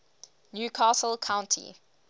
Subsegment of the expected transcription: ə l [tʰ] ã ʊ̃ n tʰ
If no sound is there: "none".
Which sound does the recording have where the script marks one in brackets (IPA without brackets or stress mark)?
kʰ